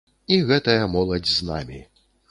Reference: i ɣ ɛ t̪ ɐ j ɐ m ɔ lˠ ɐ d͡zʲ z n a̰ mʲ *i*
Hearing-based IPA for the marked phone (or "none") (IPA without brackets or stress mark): i